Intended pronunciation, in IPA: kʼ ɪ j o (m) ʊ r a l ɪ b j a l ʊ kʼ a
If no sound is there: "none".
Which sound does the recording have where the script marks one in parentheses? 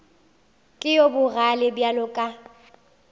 b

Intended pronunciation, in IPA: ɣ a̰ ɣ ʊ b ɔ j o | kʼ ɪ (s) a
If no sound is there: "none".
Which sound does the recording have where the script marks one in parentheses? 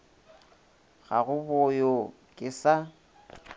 s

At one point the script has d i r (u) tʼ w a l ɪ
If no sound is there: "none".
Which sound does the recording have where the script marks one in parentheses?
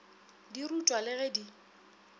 u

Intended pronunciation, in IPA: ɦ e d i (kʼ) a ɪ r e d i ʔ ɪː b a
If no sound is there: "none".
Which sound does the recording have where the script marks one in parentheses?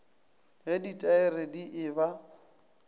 tʼ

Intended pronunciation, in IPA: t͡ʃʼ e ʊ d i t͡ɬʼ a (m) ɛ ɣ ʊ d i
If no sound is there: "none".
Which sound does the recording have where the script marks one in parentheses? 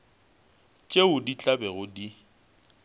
b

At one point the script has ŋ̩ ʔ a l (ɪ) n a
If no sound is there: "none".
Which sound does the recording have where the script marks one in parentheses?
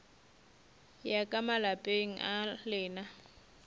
ɪː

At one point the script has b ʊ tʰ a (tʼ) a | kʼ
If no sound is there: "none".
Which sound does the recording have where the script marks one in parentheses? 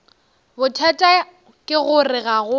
tʼ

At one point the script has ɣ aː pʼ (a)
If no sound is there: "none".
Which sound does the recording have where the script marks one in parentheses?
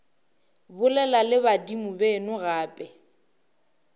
ɛ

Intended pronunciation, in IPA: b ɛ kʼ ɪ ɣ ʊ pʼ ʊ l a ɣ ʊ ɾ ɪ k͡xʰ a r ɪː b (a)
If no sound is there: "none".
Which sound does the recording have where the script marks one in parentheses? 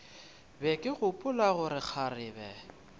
ɛ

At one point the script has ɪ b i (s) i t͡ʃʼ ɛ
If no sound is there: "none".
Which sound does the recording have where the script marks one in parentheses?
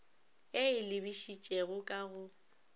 ʃ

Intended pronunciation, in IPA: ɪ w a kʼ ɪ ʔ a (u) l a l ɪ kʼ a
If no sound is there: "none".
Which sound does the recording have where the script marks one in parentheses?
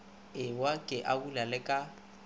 u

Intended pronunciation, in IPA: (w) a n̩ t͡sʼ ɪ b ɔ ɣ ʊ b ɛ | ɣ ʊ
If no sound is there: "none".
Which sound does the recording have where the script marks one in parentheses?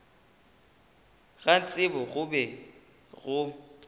ɣ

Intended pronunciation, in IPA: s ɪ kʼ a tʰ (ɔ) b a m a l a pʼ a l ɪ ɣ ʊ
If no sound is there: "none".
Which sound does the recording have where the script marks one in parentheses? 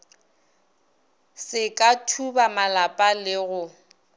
u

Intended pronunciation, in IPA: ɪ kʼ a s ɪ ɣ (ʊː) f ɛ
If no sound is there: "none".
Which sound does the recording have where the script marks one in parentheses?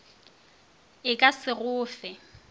ʊː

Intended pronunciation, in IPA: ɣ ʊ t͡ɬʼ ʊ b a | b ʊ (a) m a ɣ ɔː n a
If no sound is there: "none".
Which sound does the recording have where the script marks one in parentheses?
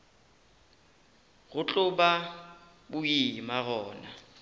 i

